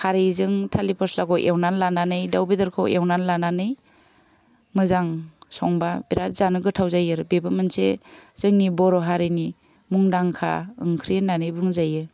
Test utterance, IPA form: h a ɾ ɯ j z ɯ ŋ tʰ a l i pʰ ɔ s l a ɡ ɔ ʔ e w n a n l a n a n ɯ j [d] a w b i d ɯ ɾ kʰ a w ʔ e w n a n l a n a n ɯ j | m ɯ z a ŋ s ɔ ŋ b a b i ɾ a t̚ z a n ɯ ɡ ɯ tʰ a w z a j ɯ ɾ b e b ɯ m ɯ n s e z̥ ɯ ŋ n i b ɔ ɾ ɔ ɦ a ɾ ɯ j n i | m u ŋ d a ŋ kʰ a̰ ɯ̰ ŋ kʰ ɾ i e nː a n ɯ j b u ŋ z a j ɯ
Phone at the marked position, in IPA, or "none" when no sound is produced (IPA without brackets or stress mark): d